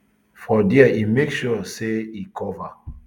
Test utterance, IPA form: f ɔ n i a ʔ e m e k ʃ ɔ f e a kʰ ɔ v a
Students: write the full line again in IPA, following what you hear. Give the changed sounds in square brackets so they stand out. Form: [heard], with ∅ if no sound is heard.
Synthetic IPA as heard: f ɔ [d] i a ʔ [i] m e k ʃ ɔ [s] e [i] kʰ ɔ v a